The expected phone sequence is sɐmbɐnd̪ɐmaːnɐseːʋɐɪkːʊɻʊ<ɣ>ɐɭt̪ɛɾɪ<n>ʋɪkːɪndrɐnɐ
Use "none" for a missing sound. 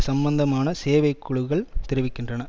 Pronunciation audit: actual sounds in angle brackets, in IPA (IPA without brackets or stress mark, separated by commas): ɣ, none